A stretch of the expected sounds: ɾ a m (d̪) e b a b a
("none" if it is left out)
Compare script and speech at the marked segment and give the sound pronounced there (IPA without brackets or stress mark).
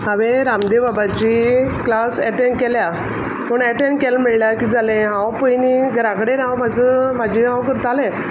d̪